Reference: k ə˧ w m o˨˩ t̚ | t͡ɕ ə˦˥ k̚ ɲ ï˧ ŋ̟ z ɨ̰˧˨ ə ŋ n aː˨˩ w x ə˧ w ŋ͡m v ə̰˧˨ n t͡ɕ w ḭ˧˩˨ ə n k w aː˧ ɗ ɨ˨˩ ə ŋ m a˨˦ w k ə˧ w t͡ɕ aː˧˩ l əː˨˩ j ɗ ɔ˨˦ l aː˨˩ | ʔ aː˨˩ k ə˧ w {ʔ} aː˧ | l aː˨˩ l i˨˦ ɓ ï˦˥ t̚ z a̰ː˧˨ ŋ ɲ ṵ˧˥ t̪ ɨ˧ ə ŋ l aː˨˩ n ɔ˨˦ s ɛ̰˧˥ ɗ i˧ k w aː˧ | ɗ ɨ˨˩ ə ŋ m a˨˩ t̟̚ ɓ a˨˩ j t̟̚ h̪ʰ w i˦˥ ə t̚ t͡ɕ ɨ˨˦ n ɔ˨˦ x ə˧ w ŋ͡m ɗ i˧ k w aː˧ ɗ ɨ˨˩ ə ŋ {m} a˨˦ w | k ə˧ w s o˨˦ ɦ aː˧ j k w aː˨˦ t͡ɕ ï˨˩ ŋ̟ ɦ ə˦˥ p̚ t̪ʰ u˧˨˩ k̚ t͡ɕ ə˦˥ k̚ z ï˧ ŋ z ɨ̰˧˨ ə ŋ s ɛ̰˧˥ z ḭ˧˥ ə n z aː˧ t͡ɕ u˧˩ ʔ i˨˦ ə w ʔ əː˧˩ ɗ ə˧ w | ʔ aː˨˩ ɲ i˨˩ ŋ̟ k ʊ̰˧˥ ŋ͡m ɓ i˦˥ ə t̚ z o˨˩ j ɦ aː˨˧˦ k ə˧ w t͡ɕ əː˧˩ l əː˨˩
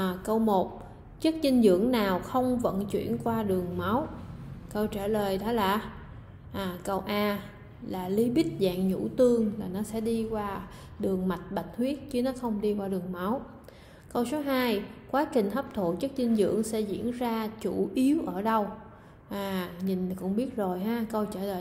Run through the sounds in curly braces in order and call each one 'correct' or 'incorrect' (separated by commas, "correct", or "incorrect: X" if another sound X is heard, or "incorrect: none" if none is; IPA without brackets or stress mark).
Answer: correct, correct